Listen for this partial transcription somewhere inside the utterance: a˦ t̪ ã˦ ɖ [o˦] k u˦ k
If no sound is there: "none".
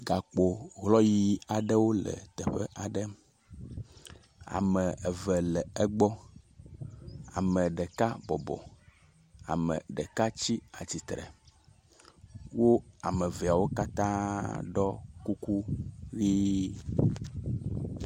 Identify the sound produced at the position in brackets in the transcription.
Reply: ɔ˦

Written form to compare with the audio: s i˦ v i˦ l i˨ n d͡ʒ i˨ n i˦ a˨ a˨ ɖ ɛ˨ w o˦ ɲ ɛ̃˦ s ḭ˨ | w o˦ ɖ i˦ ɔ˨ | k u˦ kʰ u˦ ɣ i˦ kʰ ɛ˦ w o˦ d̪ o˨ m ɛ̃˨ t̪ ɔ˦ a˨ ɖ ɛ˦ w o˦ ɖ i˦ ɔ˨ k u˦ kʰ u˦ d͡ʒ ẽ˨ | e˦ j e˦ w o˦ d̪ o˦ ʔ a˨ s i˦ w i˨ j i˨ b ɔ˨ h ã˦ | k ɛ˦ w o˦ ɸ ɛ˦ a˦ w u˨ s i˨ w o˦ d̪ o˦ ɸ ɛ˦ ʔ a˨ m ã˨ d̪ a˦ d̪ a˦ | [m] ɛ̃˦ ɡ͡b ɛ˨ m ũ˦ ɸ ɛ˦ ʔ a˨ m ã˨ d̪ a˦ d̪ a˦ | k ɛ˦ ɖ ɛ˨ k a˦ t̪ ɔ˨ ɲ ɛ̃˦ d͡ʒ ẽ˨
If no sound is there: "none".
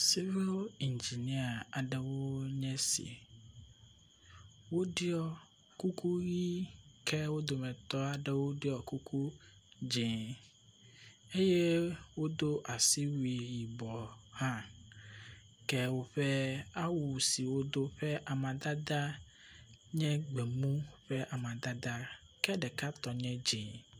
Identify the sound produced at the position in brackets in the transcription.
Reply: ɲ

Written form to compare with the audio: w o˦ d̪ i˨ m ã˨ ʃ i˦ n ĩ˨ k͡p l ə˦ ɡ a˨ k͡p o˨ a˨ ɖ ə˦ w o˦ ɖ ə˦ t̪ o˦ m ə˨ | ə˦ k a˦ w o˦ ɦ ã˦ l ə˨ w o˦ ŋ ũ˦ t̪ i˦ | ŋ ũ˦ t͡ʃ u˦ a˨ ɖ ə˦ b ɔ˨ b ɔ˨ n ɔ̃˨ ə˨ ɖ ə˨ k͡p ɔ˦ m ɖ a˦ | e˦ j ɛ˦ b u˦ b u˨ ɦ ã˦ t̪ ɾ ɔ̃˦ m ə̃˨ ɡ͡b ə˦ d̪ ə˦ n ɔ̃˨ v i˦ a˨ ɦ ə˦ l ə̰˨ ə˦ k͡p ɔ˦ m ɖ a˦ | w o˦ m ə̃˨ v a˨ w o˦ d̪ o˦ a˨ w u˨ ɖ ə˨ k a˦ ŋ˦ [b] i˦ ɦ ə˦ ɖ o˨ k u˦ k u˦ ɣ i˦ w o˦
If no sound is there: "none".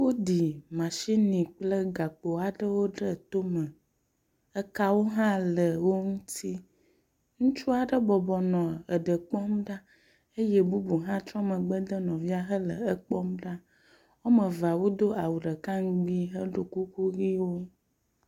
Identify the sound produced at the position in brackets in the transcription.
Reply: ɡ͡b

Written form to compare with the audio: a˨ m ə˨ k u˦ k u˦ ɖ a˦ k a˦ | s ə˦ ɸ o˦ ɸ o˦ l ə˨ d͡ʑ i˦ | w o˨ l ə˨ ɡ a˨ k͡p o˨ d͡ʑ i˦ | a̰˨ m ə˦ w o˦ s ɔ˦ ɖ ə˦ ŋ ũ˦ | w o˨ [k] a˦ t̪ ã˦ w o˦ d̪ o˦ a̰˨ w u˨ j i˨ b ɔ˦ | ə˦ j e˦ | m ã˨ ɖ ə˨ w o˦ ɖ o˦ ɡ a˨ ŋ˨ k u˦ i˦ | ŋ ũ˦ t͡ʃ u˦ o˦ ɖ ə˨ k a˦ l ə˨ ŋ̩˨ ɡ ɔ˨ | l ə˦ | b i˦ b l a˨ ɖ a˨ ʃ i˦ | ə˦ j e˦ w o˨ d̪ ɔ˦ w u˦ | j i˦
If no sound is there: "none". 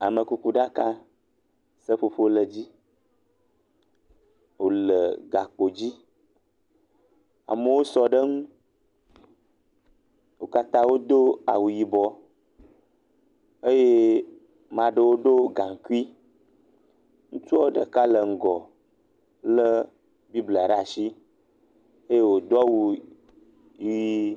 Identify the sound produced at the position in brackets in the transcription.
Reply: k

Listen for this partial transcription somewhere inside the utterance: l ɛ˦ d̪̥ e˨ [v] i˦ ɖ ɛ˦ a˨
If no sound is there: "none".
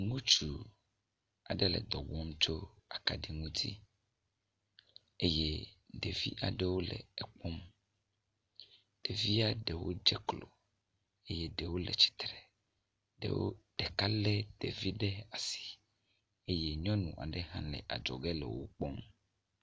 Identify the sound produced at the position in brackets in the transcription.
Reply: v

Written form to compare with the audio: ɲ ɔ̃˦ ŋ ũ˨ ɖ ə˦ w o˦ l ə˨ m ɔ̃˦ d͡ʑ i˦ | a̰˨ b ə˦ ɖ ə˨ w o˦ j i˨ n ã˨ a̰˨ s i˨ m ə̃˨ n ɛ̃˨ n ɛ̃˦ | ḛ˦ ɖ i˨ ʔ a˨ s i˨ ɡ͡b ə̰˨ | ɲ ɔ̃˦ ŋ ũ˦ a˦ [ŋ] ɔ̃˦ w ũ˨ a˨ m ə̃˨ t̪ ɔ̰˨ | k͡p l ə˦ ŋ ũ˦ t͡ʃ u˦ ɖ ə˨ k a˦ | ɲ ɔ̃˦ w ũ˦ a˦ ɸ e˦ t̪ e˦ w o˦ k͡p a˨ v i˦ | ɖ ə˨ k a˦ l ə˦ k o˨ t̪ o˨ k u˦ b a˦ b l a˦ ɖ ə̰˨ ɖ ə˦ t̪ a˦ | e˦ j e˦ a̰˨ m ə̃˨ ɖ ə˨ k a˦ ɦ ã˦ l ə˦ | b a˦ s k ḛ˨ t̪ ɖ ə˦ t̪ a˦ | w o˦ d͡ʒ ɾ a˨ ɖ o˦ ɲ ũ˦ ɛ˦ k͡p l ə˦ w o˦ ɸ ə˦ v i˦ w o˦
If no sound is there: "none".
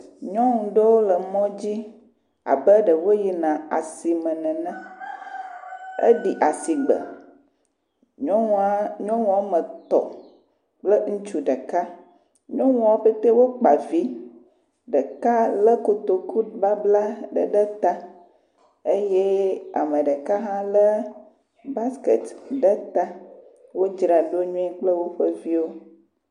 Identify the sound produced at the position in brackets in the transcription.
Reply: ɲ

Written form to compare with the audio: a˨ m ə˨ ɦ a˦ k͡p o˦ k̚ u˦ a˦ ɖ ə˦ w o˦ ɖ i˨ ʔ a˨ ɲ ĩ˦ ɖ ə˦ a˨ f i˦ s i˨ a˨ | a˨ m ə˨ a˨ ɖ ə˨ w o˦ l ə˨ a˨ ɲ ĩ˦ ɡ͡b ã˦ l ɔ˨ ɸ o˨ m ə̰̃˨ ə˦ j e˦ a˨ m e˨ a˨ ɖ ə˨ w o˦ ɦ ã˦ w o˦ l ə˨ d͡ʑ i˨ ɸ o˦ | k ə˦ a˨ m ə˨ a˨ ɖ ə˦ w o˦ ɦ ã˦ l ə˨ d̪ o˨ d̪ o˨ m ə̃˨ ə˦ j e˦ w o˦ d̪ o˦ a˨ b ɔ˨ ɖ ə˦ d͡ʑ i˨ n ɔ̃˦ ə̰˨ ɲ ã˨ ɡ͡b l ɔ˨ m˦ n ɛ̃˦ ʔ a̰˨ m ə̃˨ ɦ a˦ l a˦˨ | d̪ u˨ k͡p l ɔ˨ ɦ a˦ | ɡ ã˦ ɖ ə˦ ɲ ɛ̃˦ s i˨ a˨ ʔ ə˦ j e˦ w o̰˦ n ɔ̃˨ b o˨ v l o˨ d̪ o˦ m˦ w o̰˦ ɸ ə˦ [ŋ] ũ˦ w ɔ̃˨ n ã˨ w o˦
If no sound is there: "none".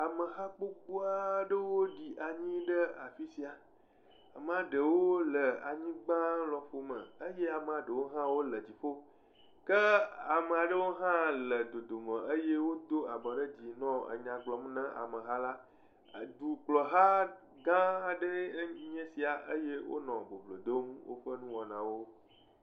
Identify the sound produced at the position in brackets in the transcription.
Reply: n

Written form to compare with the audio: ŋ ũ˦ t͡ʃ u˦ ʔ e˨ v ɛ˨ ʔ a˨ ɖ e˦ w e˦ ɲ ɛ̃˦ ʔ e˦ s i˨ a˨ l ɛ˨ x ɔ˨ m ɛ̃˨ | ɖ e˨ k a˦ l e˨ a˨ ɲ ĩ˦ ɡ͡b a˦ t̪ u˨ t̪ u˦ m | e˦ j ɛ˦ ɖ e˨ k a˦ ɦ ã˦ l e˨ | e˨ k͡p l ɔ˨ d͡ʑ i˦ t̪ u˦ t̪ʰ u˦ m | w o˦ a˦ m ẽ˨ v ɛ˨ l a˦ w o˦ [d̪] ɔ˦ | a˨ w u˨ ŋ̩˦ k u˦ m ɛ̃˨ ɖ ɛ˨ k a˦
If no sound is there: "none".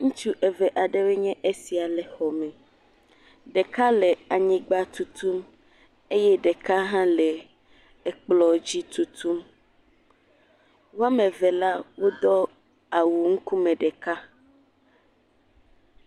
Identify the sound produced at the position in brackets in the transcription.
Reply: d̪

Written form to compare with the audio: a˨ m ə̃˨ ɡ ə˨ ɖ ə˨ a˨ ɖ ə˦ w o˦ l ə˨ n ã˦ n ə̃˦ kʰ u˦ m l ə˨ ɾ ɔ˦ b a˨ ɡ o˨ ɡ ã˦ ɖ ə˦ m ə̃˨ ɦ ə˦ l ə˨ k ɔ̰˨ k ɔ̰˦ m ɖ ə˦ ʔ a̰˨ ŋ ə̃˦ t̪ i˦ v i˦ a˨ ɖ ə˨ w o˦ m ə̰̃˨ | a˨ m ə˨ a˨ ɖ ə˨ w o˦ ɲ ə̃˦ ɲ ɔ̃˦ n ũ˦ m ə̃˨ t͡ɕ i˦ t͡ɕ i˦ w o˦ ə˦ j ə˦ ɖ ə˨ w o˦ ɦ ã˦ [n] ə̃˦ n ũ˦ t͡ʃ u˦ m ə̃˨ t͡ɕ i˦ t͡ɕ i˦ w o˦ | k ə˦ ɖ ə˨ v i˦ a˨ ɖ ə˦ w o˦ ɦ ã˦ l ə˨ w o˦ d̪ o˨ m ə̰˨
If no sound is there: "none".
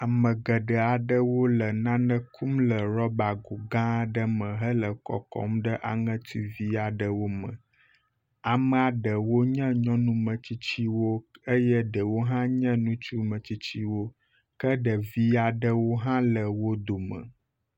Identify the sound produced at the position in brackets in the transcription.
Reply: ɲ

